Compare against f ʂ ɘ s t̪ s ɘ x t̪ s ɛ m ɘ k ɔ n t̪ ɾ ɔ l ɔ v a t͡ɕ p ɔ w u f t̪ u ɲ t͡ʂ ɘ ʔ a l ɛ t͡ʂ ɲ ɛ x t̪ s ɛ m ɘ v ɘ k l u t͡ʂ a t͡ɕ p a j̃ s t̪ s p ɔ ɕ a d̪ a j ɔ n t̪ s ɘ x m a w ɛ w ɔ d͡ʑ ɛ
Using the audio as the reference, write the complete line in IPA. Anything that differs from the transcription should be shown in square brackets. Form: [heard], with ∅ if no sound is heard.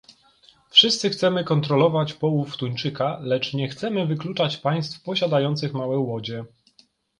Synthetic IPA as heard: f ʂ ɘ s t̪ s ɘ x t̪ s ɛ m ɘ k ɔ n t̪ ɾ ɔ l ɔ v a t͡ɕ p ɔ w u f t̪ u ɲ t͡ʂ ɘ [k] a l ɛ t͡ʂ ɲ ɛ x t̪ s ɛ m ɘ v ɘ k l u t͡ʂ a t͡ɕ p a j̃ s t̪ [f] p ɔ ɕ a d̪ a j ɔ n t̪ s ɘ x m a w ɛ w ɔ d͡ʑ ɛ